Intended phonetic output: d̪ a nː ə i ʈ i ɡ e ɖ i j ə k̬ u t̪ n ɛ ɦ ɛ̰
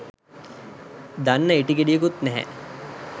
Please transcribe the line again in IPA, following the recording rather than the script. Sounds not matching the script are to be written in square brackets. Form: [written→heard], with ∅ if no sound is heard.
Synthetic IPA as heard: d̪ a nː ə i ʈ i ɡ e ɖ i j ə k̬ u t̪ n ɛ ɦ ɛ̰